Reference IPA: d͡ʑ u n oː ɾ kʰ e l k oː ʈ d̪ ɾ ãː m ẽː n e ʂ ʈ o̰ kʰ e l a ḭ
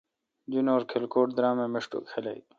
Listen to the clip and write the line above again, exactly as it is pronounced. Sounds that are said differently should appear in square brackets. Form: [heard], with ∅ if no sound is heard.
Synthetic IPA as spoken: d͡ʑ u n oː ɾ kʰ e l k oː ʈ d̪ ɾ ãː m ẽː [m] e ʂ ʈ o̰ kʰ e l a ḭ